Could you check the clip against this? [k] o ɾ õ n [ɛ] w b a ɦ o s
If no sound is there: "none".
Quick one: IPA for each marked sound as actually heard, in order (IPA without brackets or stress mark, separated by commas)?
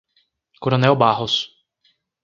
k, ɛ